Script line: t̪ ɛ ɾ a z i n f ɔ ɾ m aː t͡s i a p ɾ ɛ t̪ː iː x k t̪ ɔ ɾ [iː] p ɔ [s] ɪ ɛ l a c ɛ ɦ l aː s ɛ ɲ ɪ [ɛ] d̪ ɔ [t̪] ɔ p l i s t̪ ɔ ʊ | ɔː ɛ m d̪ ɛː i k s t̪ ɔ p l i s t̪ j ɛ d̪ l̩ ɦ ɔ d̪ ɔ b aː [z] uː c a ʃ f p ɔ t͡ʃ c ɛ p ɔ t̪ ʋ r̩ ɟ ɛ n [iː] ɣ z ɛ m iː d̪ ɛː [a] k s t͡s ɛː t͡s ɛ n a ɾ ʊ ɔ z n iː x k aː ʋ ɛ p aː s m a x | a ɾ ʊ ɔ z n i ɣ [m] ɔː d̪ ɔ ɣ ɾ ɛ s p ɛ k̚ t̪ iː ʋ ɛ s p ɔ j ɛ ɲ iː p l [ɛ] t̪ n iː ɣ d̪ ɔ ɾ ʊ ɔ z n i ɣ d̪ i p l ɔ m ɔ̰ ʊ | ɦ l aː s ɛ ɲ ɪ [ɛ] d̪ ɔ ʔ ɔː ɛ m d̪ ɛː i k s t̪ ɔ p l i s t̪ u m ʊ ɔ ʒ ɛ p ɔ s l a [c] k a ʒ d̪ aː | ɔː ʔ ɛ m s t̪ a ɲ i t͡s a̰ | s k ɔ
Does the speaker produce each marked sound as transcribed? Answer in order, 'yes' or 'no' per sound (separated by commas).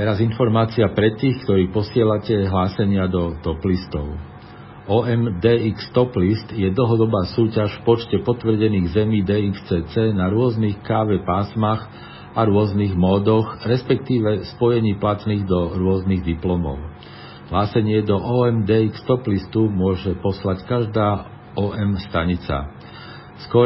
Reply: yes, yes, no, yes, no, yes, no, yes, no, yes, yes